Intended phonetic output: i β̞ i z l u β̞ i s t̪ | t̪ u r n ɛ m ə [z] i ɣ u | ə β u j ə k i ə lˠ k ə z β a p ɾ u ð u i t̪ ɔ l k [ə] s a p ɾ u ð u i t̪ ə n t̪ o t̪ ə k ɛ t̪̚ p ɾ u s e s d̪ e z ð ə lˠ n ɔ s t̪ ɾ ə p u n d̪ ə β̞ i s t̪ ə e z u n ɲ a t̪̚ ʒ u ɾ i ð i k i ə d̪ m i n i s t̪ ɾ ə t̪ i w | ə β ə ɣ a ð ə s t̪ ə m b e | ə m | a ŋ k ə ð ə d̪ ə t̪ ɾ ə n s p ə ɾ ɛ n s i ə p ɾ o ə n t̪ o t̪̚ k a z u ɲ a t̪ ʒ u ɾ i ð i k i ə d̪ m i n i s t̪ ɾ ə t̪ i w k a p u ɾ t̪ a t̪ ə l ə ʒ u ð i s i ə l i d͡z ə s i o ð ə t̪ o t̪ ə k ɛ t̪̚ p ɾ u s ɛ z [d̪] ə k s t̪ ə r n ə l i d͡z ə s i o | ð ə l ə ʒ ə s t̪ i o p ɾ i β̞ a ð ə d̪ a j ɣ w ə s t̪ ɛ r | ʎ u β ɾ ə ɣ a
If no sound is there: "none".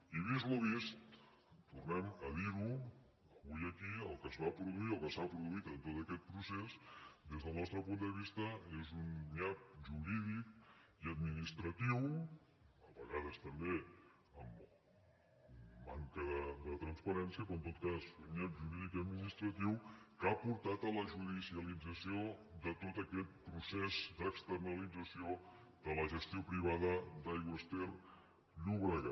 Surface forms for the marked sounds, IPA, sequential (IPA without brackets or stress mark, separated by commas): ð, ə, d̪